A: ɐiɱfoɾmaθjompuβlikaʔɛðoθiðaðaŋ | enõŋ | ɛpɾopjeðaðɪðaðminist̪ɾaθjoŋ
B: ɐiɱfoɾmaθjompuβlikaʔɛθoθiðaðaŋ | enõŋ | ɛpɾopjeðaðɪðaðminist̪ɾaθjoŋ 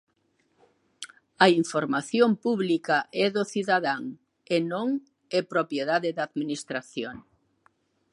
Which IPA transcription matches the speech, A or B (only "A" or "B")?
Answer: A